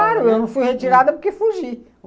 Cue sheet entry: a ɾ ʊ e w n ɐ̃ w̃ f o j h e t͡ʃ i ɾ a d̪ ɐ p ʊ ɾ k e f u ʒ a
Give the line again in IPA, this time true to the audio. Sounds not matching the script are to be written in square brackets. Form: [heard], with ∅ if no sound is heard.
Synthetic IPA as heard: a ɾ ʊ e w n ɐ̃ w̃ f [u] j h e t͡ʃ i ɾ a d̪ ɐ p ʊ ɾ k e f u ʒ [i]